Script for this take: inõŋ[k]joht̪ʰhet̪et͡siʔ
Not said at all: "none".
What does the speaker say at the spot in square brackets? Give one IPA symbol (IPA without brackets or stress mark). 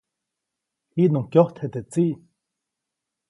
k